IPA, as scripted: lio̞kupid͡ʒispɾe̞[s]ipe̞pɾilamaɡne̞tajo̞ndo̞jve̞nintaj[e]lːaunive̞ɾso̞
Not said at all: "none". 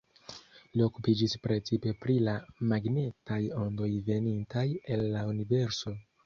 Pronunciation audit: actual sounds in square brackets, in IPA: t͡s, e

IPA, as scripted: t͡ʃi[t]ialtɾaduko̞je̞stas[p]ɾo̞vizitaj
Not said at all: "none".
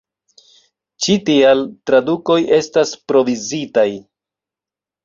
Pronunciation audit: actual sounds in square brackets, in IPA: t, p

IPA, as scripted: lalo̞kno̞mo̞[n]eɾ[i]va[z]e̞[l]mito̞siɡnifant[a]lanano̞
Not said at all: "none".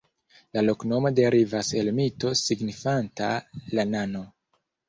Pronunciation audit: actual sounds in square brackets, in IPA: d, i, s, l, a

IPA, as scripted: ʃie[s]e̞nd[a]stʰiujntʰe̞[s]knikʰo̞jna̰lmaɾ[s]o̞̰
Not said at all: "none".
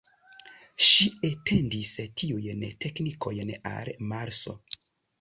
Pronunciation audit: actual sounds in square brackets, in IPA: t, i, none, s

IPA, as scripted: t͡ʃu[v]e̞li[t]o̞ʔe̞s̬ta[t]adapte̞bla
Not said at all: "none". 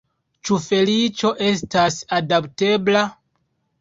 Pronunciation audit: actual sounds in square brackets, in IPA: f, t͡ʃ, s

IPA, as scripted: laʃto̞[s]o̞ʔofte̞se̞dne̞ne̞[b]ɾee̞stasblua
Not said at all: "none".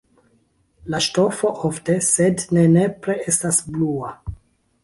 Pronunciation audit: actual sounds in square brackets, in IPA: f, p

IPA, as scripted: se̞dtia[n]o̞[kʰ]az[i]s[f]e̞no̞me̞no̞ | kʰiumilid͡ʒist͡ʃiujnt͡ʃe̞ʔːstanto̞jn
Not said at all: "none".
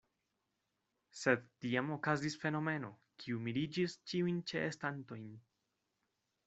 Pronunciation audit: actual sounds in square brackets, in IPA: m, k, i, f

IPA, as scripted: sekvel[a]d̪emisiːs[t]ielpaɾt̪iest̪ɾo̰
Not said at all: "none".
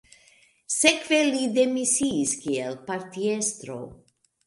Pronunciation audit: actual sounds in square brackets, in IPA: i, k

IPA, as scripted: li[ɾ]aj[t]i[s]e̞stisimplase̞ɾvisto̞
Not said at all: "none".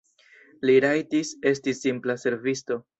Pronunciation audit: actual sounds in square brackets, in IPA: ɾ, t, s

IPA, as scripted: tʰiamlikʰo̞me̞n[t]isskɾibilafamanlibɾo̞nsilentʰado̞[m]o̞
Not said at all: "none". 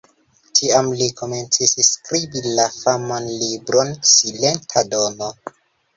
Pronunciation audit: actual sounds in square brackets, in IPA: t͡s, n

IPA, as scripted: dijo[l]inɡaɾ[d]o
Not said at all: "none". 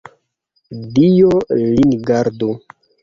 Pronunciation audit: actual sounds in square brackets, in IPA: l, d

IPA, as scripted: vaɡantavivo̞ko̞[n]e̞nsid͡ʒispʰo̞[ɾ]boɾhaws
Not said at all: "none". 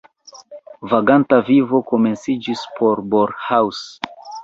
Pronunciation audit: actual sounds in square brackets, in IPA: m, ɾ

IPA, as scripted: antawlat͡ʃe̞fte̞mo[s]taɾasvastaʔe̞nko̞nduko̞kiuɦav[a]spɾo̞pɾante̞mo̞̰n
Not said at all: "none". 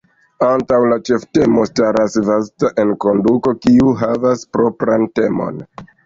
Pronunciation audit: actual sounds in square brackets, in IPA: s, a

